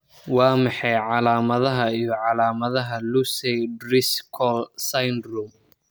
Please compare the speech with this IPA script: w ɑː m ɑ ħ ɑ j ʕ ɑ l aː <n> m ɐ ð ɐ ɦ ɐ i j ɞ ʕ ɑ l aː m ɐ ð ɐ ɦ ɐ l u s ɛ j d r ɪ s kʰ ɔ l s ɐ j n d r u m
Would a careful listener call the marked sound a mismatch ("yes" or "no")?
yes